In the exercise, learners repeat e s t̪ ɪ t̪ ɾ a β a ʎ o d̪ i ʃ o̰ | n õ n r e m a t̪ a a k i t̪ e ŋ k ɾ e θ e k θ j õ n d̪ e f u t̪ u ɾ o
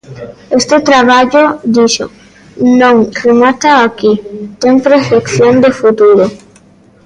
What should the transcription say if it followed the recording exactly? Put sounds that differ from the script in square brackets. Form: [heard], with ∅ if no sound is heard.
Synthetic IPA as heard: e s t̪ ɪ t̪ ɾ a β a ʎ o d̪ i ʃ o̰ | n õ [ŋ] r e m a t̪ a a k i t̪ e ŋ [p] ɾ e [f] e k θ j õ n d̪ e f u t̪ u ɾ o

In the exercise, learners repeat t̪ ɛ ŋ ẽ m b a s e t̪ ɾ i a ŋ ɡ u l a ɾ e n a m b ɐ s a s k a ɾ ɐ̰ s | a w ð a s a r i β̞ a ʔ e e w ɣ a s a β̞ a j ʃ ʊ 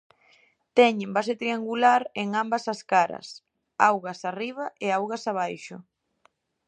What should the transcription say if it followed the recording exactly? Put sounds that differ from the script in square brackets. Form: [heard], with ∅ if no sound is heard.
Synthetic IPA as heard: t̪ ɛ [ɲ] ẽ m b a s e t̪ ɾ i a ŋ ɡ u l a ɾ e [ŋ] a m b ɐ s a s k a ɾ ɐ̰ s | a w [ɣ] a s a r i β̞ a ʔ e [a] w ɣ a s a β̞ a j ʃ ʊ

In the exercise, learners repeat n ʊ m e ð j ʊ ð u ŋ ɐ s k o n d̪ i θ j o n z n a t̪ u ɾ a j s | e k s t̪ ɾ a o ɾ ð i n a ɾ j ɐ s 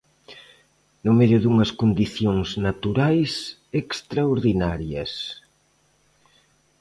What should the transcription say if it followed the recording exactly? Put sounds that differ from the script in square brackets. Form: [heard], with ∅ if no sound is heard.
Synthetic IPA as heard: n ʊ m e ð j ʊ ð u ŋ ɐ s k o n d̪ i θ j o [ŋ] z n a t̪ u ɾ a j s | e k s t̪ ɾ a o ɾ ð i n a ɾ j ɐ s

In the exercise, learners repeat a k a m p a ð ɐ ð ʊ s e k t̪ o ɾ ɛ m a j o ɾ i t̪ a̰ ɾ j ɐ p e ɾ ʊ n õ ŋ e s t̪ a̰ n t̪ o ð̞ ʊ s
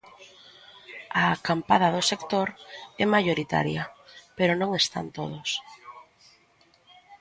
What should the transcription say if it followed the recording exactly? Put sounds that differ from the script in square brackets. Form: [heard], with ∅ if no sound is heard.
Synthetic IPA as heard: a k a m p a ð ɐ ð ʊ s e k t̪ o ɾ ɛ m a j o ɾ i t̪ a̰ ɾ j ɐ p e ɾ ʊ n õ ŋ e s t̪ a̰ n t̪ o ð̞ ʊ s

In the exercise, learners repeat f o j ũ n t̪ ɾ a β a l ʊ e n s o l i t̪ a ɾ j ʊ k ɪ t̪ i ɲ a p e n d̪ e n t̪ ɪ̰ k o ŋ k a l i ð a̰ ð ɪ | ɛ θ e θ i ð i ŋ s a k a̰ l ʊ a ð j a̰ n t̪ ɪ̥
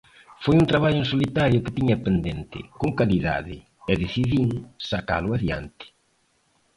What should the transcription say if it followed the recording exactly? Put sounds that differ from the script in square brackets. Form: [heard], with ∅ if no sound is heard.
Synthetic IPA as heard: f o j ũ n t̪ ɾ a β a [ʎ] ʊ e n s o l i t̪ a ɾ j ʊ k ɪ t̪ i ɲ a p e n d̪ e n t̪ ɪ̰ k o ŋ k a l i ð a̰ ð ɪ | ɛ [ð] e θ i ð i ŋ s a k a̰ l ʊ a ð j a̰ n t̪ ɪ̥

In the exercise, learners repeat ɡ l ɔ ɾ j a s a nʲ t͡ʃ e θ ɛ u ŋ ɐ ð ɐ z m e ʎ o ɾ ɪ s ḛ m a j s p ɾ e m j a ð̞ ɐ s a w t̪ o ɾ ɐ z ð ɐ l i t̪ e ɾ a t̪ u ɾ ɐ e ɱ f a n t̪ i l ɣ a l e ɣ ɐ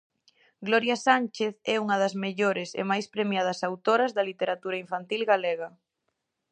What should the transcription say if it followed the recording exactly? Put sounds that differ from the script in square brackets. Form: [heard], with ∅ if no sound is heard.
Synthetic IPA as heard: ɡ l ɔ ɾ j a s a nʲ t͡ʃ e θ ɛ u ŋ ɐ ð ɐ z m e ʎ o ɾ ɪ s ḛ m a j s p ɾ e m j a ð̞ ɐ s a w t̪ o ɾ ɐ z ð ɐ l i t̪ e ɾ a t̪ u ɾ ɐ [i] ɱ f a n t̪ i l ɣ a l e ɣ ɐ

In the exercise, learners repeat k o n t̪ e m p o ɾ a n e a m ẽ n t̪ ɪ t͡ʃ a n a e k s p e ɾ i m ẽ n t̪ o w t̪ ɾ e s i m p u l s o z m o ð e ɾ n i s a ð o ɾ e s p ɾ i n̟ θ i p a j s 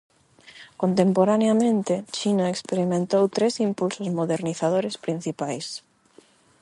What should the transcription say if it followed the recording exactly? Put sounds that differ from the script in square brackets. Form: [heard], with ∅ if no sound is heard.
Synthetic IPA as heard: k o n t̪ e m p o ɾ a n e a m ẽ n t̪ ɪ t͡ʃ [i] n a e k s p e ɾ i m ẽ n t̪ o w t̪ ɾ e s i m p u l s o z m o ð e ɾ n i [θ] a ð o ɾ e s p ɾ i n̟ θ i p a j s

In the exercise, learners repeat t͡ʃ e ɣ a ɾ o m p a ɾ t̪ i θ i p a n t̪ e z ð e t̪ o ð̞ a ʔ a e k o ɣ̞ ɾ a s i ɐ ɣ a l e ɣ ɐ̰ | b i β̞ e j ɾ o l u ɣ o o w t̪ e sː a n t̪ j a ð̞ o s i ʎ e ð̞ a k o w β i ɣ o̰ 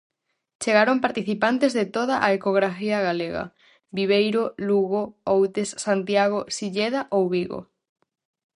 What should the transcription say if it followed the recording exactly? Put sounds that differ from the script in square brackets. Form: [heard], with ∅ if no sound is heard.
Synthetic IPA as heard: t͡ʃ e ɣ a ɾ o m p a ɾ t̪ i θ i p a n t̪ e z ð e t̪ o ð̞ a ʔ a e k o ɣ̞ ɾ a [f] i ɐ ɣ a l e ɣ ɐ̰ | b i β̞ e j ɾ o l u ɣ o o w t̪ e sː a n t̪ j a [ɣ̞] o s i ʎ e ð̞ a [ʔ] o w β i ɣ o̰

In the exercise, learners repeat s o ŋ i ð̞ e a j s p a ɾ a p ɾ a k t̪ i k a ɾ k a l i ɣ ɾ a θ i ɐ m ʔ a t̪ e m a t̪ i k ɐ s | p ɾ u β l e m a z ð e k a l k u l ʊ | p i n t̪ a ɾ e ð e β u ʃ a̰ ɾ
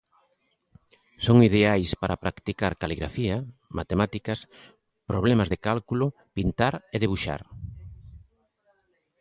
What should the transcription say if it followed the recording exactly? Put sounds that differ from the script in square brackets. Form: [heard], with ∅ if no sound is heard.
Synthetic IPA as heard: s o ŋ i ð̞ e a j s p a ɾ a p ɾ a k t̪ i k a ɾ k a l i ɣ ɾ a [f] i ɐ m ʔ a t̪ e m a t̪ i k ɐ s | p ɾ [o] β l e m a z ð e k a l k u l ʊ | p i n t̪ a ɾ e ð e β u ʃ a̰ ɾ

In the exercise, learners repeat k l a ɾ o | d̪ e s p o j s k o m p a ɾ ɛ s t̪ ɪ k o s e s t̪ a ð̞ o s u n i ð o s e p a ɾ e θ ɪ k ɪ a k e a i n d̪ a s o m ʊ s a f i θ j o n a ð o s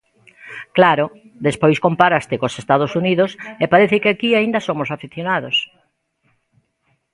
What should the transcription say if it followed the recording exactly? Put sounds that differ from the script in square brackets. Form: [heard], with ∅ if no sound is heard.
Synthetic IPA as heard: k l a ɾ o | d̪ e s p o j s k o m p a ɾ [a] s t̪ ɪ k o s e s t̪ a ð̞ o s u n i ð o s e p a ɾ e θ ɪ k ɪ a k [i] a i n d̪ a s o m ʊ s a f i θ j o n a ð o s

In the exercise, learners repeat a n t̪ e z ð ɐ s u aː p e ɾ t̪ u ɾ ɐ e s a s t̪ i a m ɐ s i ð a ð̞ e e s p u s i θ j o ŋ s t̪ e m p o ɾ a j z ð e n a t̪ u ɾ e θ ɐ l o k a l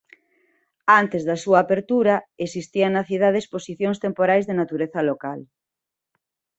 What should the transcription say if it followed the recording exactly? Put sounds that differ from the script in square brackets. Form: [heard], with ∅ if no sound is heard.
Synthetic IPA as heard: a n t̪ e z ð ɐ s u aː p e ɾ t̪ u ɾ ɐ e s [i] s t̪ i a [n] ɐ [θ] i ð a ð̞ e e s p [o] s i θ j o ŋ s t̪ e m p o ɾ a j z ð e n a t̪ u ɾ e θ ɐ l o k a l

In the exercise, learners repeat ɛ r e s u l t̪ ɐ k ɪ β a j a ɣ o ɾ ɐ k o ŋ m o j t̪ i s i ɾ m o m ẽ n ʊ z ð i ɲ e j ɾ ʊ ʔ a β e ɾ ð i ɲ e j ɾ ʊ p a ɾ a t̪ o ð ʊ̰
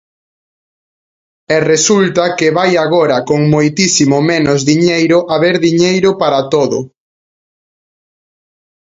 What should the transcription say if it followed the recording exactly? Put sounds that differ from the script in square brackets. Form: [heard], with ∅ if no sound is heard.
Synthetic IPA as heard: ɛ r e s u l t̪ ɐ k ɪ β a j a ɣ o ɾ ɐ k o ŋ m o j t̪ i s i [∅] m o m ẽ n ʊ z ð i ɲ e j ɾ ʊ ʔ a β e ɾ ð i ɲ e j ɾ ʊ p a ɾ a t̪ o ð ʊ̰

